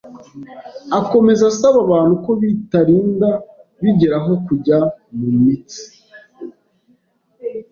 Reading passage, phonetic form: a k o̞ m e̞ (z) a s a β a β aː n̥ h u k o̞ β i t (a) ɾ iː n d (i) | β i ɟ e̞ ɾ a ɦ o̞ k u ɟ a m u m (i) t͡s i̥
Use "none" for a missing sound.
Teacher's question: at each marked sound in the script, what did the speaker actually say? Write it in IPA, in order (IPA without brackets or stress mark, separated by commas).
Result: z, a, a, i